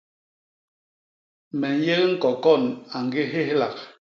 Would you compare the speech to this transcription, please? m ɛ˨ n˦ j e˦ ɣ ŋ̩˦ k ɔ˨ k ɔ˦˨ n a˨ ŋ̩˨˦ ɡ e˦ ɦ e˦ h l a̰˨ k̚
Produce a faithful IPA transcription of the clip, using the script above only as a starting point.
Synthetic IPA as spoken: m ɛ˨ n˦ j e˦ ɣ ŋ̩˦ k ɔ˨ k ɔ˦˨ n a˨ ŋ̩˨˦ ɡ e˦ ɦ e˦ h l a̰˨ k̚